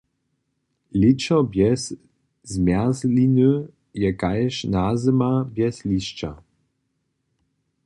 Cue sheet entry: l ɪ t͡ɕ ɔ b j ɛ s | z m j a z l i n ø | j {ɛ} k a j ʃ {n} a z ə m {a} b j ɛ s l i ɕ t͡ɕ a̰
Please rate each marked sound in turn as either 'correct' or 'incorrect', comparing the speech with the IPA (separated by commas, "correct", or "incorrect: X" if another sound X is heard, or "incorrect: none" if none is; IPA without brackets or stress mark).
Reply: correct, correct, correct